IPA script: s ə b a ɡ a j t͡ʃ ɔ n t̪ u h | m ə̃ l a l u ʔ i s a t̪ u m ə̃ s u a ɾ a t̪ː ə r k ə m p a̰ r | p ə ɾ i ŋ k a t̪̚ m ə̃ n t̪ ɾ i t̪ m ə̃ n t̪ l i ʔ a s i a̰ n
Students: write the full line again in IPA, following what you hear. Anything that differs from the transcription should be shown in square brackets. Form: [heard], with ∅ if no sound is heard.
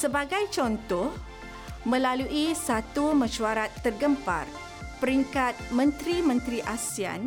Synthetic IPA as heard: s ə b a ɡ a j t͡ʃ ɔ n t̪ [ɔ] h | m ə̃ l a l u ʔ i s a t̪ u m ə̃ [ʃ] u a ɾ a t̪ː ə r [ɡ] ə m p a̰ r | p ə ɾ i ŋ k a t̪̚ m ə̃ n t̪ ɾ i [∅] m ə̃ n t̪ [ɾ] i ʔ a s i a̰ n